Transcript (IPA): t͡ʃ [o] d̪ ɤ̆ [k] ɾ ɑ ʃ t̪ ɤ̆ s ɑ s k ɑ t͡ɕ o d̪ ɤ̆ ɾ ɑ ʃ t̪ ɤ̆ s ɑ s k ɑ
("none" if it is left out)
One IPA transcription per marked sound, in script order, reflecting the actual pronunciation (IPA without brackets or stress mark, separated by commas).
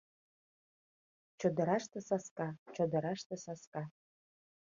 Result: o, none